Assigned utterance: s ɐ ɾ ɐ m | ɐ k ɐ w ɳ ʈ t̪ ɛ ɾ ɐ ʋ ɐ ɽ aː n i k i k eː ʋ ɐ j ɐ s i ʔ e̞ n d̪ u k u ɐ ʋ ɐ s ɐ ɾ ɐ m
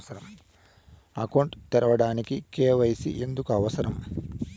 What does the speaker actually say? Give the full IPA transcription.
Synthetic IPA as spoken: s ɐ ɾ ɐ m | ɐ k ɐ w ɳ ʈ t̪ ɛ ɾ ɐ ʋ ɐ ɽ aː n i k i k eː ʋ ɐ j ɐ s i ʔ e̞ n d̪ u k u ɐ ʋ ɐ s ɐ ɾ ɐ m